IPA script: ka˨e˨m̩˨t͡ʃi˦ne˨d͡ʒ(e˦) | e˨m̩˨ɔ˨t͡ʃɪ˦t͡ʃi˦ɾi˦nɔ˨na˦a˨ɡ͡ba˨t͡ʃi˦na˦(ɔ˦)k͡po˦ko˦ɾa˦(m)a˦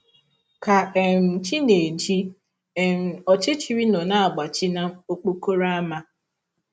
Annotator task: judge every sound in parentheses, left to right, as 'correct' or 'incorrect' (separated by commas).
incorrect, incorrect, correct